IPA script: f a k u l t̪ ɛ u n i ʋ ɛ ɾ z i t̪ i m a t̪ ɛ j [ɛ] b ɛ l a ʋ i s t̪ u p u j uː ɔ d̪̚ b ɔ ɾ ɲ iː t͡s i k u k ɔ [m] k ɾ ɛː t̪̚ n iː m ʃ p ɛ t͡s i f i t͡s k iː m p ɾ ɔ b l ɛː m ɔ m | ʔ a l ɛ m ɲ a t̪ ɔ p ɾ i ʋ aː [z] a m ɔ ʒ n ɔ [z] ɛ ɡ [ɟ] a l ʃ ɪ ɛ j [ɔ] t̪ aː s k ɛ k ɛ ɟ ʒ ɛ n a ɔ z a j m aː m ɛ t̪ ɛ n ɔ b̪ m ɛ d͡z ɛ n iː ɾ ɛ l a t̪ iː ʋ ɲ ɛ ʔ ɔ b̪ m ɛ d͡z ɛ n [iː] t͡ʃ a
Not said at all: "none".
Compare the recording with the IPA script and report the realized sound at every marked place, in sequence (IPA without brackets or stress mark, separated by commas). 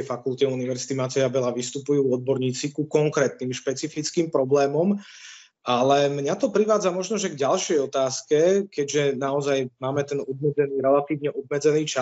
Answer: a, ŋ, d͡z, ʒ, ɟ, ɔ, iː